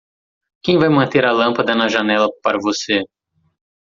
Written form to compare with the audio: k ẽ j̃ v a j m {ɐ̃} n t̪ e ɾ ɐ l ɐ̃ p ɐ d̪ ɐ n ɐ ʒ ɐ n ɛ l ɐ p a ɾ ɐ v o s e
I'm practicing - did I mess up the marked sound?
no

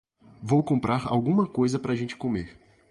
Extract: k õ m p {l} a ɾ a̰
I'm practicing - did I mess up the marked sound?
yes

